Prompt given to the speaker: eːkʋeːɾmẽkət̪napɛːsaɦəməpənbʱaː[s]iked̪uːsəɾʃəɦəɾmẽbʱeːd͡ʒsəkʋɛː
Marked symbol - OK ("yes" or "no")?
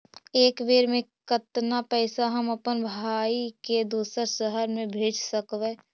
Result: no